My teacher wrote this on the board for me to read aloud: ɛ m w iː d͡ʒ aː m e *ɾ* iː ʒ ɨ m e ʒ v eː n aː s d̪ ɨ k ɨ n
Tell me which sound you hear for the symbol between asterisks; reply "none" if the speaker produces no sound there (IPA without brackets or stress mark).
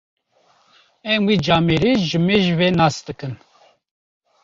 ɾ